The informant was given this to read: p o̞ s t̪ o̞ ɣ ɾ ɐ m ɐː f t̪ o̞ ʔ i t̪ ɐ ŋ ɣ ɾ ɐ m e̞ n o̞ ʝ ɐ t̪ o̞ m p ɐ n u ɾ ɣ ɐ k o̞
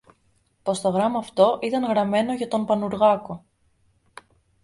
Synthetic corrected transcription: p o̞ s t̪ o̞ ɣ ɾ ɐ m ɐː f t̪ o̞ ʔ i t̪ ɐ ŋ ɣ ɾ ɐ m e̞ n o̞ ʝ ɐ t̪ o̞ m p ɐ n u ɾ ɣ ɐ k o̞

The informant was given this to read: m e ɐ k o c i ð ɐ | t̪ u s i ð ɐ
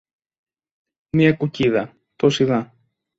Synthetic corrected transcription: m i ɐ k u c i ð ɐ | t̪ o s i ð ɐ

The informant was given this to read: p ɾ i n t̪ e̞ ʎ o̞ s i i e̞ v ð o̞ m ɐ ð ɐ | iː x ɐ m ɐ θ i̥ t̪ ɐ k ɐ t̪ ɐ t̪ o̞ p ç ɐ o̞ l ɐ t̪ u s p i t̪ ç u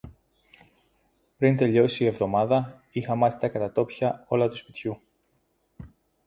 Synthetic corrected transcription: p ɾ i n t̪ e̞ ʎ o̞ s i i e̞ v ð o̞ m ɐ ð ɐ | i x ɐ m ɐ θ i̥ t̪ ɐ k ɐ t̪ ɐ t̪ o̞ p ç ɐ o̞ l ɐ t̪ u s p i t̪ ç u

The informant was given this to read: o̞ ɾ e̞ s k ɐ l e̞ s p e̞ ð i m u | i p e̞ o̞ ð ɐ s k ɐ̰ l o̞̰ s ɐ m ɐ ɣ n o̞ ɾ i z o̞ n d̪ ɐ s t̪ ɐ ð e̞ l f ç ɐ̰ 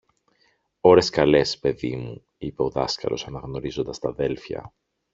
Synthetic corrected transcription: o̞ ɾ e̞ s k ɐ l e̞ s p e̞ ð i m u | i p e̞ o̞ ð ɐ s k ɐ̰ l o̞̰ s ɐ n ɐ ɣ n o̞ ɾ i z o̞ n d̪ ɐ s t̪ ɐ ð e̞ l f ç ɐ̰

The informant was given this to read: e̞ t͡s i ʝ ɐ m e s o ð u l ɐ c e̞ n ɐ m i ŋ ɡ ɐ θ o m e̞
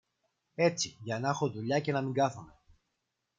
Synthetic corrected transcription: e̞ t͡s i ʝ ɐ n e x o ð u ʎ ɐ c e̞ n ɐ m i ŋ ɡ ɐ θ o m e̞

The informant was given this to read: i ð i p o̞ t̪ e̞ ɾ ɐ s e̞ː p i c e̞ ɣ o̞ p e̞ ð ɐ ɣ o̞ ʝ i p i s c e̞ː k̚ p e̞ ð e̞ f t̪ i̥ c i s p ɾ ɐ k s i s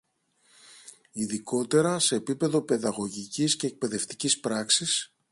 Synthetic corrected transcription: i ð i k o̞ t̪ e̞ ɾ ɐ s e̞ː p i p e̞ ð o̞ p e̞ ð ɐ ɣ o̞ ʝ i c i s c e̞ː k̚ p e̞ ð e̞ f t̪ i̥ c i s p ɾ ɐ k s i s

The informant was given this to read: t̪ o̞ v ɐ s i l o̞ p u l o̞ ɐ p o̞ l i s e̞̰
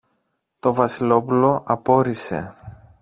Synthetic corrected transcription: t̪ o̞ v ɐ s i l o̞ p u l o̞ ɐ p o̞ ɾ i s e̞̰

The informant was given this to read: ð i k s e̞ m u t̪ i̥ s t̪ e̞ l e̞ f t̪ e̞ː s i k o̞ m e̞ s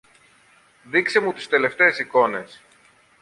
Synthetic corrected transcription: ð i k s e̞ m u t̪ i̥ s t̪ e̞ l e̞ f t̪ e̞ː s i k o̞ n e̞ s

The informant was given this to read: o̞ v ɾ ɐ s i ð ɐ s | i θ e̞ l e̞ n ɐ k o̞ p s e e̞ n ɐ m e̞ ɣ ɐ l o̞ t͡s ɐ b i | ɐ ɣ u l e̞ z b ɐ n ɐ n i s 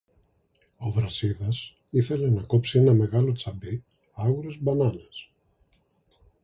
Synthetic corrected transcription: o̞ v ɾ ɐ s i ð ɐ s | i θ e̞ l e̞ n ɐ k o̞ p s i e̞ n ɐ m e̞ ɣ ɐ l o̞ t͡s ɐ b i | ɐ ɣ u ɾ e̞ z b ɐ n ɐ n e s

